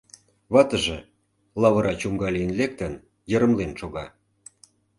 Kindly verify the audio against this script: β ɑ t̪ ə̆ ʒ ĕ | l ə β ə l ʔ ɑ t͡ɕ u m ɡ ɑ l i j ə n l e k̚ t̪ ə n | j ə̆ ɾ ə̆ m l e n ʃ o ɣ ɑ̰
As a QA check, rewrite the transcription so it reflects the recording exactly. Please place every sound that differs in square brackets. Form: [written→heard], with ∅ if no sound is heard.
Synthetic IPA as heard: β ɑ t̪ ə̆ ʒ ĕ | l [ə→ɑ] β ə [l→ɾ] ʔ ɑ t͡ɕ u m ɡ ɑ l i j ə n l e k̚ t̪ ə n | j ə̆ ɾ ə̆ m l e n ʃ o ɣ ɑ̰